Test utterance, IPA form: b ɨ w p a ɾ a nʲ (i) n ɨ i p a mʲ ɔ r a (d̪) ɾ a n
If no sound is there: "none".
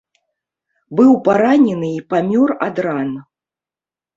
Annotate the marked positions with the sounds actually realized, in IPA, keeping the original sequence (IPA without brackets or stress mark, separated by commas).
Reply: ɛ, d̪